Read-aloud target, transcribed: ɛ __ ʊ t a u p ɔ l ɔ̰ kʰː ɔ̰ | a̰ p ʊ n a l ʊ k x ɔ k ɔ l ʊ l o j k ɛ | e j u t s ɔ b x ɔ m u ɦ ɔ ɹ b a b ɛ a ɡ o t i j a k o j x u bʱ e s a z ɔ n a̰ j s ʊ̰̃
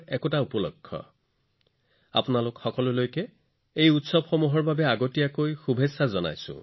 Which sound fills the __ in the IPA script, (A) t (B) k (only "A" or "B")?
B